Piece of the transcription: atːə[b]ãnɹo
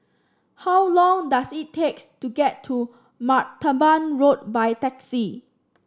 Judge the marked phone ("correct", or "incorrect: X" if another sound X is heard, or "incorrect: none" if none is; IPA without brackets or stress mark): correct